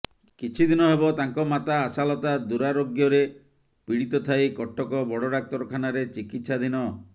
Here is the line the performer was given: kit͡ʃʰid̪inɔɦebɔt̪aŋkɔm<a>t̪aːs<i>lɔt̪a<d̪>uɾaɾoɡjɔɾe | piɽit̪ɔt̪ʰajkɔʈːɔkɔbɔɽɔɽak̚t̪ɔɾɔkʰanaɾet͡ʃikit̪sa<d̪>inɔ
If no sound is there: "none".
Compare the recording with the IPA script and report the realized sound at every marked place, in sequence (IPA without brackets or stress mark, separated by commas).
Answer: a, a, d̪, d̪